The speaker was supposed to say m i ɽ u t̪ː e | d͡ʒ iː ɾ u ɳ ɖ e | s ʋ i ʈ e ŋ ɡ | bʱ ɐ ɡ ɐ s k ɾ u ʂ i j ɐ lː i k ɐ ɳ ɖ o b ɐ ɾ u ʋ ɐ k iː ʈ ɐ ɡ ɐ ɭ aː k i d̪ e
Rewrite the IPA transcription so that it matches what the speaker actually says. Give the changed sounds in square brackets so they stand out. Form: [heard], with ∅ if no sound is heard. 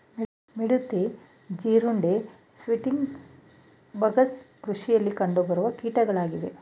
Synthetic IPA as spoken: m i ɽ u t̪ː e | d͡ʒ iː ɾ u ɳ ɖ e | s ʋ i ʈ [i] ŋ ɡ | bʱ ɐ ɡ ɐ s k ɾ u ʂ i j ɐ lː i k ɐ ɳ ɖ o b ɐ ɾ u ʋ ɐ k iː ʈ ɐ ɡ ɐ ɭ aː [ɡ] i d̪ e